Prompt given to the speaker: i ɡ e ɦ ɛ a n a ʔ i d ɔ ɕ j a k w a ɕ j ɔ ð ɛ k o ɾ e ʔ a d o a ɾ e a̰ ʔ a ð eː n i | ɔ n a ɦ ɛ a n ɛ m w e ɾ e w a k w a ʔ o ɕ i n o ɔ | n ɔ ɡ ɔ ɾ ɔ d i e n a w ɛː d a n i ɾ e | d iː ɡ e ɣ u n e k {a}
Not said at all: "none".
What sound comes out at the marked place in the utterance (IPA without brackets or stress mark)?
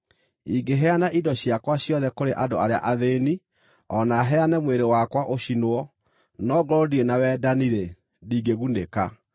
a